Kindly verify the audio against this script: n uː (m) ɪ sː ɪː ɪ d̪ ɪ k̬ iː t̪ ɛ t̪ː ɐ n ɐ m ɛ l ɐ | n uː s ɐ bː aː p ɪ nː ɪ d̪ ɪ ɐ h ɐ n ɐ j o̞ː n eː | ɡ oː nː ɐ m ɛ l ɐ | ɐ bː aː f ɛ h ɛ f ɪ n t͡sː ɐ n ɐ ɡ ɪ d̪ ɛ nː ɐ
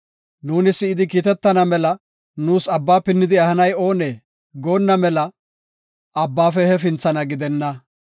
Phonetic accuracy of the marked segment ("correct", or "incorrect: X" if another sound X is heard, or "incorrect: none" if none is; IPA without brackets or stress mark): incorrect: n